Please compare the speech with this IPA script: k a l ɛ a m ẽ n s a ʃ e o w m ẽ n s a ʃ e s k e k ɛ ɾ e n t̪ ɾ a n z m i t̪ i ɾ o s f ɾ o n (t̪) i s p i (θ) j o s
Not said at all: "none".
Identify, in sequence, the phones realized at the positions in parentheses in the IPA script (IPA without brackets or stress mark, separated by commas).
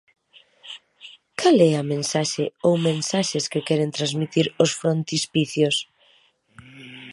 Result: t̪, θ